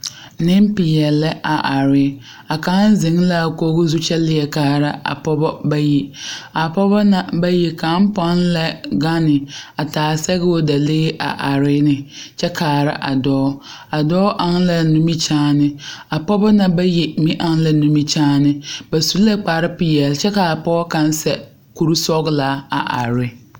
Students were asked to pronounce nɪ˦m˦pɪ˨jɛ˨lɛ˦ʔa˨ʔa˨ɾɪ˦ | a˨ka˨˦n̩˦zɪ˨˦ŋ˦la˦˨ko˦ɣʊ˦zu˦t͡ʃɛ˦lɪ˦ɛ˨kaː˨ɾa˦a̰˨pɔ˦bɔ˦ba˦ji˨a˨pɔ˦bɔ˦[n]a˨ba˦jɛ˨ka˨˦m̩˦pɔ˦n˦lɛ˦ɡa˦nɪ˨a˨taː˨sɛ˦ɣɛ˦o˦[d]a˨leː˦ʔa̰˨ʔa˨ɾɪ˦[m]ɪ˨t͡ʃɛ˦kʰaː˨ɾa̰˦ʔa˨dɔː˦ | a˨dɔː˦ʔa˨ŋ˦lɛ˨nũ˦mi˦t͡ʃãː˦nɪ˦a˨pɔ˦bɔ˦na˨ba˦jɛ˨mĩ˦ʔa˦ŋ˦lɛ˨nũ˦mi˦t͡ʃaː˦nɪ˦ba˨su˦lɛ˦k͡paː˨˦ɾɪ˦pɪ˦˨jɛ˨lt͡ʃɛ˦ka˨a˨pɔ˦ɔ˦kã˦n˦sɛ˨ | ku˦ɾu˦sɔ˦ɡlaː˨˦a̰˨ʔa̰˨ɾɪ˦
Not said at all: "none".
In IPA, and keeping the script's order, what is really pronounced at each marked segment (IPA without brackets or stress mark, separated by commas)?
n, d, n